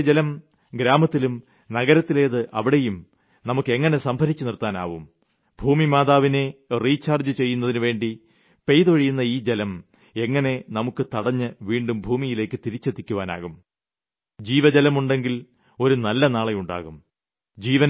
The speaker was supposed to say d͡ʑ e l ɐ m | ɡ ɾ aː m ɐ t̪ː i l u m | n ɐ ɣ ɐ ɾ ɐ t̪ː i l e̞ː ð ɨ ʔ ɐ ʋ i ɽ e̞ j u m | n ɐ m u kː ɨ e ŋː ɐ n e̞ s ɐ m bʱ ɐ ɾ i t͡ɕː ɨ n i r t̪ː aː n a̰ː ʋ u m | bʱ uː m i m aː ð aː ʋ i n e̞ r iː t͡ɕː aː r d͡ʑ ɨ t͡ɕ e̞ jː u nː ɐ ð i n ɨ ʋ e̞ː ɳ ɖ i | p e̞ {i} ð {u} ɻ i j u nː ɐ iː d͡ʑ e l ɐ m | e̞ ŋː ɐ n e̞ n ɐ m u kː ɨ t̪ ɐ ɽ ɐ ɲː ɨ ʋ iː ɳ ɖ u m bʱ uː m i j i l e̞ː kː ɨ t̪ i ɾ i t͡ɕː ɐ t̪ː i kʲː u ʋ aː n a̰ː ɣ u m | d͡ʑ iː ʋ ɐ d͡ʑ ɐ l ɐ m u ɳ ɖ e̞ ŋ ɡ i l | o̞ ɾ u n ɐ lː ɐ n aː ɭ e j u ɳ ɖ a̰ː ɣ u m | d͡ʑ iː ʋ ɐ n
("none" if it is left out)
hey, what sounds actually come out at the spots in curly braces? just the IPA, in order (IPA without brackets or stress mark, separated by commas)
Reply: j, o